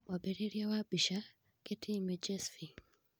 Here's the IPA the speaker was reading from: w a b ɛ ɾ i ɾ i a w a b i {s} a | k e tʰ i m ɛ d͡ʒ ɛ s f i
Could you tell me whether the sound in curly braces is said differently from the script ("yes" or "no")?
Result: yes